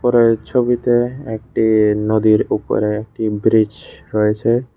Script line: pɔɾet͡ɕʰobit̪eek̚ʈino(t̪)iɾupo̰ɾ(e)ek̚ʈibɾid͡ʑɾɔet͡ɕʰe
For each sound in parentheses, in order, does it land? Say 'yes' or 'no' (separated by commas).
no, yes